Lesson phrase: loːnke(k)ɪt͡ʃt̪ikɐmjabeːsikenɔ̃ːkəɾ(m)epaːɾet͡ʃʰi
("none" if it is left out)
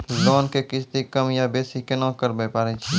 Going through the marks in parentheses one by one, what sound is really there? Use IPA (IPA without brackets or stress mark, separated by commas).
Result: k, b